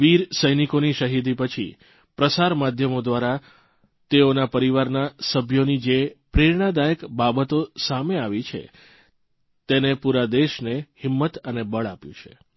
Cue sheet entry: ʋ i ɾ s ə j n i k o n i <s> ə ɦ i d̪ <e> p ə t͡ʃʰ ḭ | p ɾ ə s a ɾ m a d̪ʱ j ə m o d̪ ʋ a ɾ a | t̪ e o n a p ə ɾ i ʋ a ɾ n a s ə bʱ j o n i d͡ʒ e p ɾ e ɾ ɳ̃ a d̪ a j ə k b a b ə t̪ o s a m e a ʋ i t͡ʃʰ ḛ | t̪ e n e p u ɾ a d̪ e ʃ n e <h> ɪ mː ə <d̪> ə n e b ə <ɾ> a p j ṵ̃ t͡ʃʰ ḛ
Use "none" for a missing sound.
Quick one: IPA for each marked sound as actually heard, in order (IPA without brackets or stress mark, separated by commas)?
ʃ, i, h, t̪, ɭ